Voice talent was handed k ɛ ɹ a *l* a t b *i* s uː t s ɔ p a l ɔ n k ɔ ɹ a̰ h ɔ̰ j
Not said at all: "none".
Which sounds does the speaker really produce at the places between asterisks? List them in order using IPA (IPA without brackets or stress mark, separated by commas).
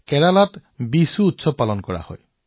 l, i